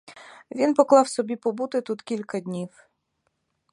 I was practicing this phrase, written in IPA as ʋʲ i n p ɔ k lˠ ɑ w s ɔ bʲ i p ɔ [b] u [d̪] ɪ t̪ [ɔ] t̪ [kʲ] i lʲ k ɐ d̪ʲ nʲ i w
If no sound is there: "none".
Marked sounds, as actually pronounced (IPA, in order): b, t̪, u, kʲ

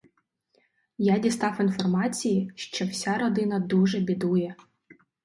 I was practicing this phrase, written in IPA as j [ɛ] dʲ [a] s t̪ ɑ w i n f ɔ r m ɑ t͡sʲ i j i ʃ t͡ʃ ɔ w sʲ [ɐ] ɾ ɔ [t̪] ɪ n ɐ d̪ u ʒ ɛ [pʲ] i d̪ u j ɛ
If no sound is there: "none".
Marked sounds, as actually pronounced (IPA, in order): a, i, a, d̪, bʲ

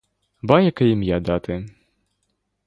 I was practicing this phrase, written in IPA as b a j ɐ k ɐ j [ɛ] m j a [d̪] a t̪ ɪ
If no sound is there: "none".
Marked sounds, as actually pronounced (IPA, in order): i, d̪

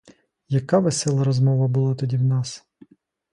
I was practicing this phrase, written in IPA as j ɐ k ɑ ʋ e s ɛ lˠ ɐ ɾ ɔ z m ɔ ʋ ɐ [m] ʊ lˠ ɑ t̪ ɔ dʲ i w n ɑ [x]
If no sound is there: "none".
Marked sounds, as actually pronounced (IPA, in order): b, s

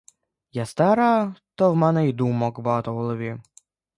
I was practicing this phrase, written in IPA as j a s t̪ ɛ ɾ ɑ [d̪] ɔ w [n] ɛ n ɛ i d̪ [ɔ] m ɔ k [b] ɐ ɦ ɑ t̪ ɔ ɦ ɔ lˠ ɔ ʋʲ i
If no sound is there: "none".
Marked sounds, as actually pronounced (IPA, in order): t̪, m, u, b

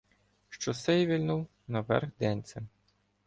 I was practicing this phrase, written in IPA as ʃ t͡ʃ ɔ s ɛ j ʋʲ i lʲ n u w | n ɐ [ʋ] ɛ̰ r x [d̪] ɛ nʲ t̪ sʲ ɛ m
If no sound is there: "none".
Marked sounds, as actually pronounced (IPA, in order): ʋ, d̪

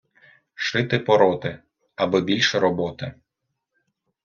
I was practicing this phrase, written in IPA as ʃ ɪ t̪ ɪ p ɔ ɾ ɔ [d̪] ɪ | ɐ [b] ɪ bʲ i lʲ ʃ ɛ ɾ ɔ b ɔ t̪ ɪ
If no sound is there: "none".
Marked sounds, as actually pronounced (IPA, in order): t̪, b

